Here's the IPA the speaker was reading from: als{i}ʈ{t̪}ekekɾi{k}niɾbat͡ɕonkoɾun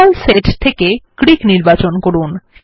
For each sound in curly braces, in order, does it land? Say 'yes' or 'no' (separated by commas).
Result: no, no, yes